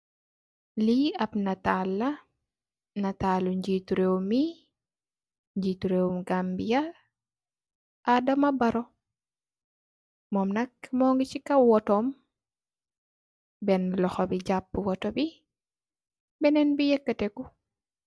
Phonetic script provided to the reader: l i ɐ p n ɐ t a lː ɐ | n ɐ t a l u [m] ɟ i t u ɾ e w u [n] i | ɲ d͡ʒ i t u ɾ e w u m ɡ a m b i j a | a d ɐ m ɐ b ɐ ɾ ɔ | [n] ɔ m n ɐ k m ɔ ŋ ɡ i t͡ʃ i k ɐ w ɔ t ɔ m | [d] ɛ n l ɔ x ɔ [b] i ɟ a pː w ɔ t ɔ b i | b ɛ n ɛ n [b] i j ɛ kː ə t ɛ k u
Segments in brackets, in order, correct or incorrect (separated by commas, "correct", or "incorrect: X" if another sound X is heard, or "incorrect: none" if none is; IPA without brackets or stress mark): incorrect: ɲ, incorrect: m, incorrect: m, incorrect: b, correct, correct